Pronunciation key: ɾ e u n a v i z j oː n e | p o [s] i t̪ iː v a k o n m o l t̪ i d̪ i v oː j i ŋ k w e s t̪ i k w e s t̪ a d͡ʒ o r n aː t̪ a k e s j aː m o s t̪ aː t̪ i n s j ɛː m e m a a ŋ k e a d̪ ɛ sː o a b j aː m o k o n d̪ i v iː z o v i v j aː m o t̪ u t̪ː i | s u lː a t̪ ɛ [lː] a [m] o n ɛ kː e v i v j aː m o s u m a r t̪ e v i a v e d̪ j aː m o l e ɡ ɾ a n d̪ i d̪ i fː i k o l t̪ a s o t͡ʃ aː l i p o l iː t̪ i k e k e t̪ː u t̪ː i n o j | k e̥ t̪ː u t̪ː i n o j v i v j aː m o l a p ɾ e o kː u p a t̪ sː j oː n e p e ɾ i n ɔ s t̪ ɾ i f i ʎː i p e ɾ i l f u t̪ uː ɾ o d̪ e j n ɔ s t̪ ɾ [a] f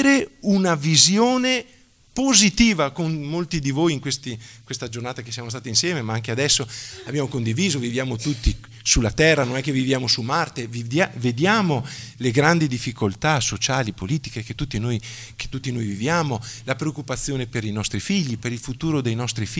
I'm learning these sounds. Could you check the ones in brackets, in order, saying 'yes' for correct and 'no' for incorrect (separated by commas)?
no, no, no, no